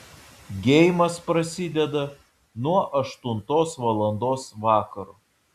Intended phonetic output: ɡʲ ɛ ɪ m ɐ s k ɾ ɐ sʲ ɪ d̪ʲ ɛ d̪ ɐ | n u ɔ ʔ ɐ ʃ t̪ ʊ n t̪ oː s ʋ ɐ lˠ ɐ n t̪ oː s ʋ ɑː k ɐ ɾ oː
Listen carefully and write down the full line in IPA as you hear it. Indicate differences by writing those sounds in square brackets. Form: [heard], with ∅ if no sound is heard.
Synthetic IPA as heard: ɡʲ ɛ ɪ m ɐ s [p] ɾ ɐ sʲ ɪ d̪ʲ ɛ d̪ ɐ | n u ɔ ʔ ɐ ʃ t̪ ʊ n t̪ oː s ʋ ɐ lˠ ɐ n [d̪] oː s ʋ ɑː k ɐ ɾ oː